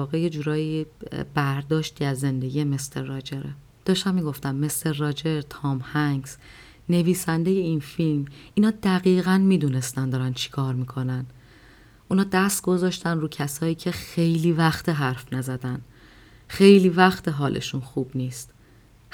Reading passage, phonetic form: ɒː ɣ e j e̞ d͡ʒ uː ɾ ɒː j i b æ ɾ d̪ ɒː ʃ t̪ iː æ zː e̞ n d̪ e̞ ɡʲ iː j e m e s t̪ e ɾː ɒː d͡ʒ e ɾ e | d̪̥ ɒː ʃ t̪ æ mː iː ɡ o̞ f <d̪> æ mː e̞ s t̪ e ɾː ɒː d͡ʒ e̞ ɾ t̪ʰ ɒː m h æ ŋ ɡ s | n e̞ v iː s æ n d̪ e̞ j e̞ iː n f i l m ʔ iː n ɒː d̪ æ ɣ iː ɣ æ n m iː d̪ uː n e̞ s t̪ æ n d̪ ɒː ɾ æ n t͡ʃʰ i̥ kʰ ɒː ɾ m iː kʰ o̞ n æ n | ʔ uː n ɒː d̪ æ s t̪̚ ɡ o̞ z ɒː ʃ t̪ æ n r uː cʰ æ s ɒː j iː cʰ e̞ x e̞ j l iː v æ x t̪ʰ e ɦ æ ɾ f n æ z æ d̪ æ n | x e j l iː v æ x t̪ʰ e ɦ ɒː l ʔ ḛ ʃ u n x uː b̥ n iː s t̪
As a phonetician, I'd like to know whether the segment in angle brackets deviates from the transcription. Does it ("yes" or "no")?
yes